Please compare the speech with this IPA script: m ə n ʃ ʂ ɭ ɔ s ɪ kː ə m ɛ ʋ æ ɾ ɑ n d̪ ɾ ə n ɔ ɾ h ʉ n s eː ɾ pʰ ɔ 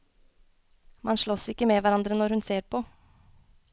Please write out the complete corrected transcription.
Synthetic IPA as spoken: m ɑ n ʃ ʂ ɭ ɔ s ɪ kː ə m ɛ ʋ æ ɾ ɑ n d̪ ɾ ə n ɔ ɾ h ʉ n s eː ɾ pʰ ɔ